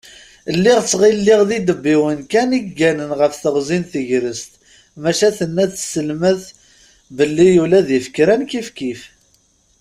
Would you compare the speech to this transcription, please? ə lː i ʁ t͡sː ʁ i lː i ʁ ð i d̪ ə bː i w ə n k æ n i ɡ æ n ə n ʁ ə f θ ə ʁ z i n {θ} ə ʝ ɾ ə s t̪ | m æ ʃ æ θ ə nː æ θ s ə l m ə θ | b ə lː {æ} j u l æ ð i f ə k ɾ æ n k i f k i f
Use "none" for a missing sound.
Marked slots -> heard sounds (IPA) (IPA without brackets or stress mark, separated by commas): θ, i